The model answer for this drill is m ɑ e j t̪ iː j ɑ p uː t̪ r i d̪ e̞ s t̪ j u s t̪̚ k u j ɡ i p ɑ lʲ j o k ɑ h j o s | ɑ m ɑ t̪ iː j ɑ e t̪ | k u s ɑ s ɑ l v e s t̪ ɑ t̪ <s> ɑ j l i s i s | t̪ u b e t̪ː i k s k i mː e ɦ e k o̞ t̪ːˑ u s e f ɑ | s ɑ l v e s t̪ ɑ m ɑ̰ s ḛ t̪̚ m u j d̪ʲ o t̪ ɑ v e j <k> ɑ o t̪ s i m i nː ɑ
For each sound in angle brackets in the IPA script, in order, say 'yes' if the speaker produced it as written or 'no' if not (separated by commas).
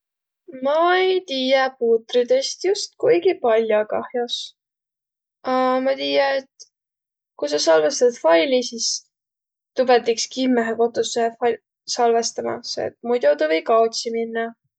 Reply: no, yes